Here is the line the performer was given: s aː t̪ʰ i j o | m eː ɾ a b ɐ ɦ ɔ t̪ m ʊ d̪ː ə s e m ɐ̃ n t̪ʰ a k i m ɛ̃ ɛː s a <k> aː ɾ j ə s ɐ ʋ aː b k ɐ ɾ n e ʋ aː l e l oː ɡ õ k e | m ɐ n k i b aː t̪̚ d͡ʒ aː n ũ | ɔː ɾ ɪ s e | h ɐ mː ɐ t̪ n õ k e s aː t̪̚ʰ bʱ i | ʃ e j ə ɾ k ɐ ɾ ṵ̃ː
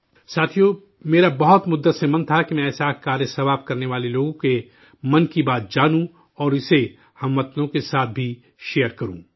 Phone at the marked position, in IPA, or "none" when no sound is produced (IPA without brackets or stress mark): k